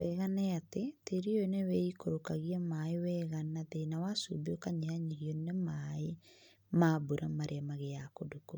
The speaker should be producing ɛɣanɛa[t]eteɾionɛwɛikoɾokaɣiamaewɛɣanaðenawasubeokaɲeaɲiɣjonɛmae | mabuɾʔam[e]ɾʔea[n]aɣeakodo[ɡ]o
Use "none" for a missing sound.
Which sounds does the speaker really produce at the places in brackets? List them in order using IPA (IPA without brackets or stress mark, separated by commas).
t, a, m, k